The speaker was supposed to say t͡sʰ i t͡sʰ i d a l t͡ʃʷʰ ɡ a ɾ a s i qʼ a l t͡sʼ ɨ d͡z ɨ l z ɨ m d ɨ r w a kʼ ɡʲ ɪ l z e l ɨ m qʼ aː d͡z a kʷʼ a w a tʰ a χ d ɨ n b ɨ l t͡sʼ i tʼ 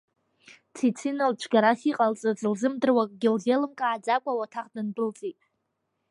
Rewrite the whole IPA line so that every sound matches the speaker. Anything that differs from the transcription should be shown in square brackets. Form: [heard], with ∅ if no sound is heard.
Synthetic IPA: t͡sʰ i t͡sʰ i [n] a l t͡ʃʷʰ ɡ a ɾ a s i qʼ a l t͡sʼ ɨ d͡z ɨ l z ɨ m d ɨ r w a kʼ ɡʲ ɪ l z e l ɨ m [kʼ] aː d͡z a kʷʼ a w a tʰ a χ d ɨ n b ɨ l t͡sʼ i tʼ